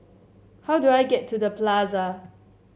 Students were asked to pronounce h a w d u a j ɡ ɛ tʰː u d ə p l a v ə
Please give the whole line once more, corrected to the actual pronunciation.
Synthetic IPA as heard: h a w d u a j ɡ ɛ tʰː u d ə p l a z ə